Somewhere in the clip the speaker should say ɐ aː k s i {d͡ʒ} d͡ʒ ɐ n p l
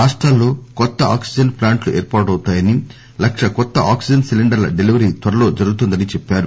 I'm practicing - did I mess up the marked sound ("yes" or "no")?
no